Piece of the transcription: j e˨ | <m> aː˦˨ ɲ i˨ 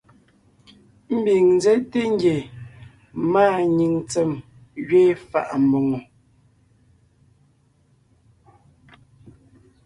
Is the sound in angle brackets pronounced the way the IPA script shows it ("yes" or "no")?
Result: yes